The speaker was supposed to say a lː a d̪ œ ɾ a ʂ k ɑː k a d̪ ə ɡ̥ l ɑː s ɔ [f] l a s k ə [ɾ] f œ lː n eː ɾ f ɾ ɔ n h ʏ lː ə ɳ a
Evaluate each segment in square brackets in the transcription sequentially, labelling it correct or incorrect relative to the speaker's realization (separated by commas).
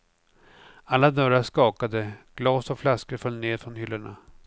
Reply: correct, correct